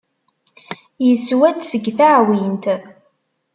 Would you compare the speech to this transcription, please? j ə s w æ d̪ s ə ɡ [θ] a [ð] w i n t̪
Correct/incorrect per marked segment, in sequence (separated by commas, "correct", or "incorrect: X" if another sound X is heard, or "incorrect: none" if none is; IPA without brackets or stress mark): correct, incorrect: ʕ